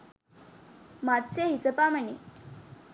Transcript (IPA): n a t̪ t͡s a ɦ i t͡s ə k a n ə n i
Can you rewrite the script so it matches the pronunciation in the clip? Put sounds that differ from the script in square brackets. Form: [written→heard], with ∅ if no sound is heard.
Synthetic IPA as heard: [n→m] a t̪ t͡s [a→e] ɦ i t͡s ə [k→p] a [n→m] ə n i